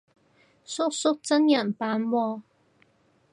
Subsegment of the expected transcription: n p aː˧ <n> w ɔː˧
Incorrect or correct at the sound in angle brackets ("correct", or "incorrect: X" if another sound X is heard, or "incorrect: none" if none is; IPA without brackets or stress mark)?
correct